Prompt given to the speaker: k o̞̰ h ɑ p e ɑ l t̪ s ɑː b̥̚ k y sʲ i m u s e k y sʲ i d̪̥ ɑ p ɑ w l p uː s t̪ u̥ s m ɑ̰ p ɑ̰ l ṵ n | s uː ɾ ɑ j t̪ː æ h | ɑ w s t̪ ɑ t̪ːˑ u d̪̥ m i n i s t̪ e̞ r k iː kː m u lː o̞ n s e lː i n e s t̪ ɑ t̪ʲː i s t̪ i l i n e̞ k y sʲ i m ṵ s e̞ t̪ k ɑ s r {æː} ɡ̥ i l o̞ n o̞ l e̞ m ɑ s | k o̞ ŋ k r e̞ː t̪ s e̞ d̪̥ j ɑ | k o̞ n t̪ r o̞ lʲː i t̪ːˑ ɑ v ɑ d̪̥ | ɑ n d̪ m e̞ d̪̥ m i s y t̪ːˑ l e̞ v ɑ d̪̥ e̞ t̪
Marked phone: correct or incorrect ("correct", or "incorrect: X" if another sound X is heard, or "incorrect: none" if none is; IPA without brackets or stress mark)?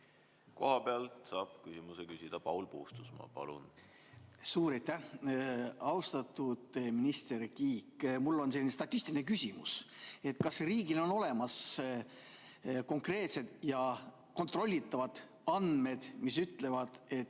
incorrect: iː